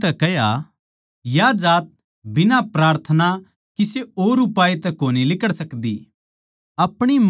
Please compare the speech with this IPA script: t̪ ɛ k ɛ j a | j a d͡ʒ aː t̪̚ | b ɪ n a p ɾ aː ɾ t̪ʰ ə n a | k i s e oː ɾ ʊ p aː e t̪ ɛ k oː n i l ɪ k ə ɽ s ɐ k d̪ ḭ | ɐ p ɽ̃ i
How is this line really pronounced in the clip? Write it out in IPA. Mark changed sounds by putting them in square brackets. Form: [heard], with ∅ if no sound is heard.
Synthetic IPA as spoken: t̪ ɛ k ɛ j a | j a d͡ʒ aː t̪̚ | b ɪ n a p ɾ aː ɾ t̪ʰ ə n a | k i s e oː ɾ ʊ p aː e t̪ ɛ k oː n i l ɪ k ə ɽ s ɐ k d̪ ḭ | ɐ p ɽ̃ i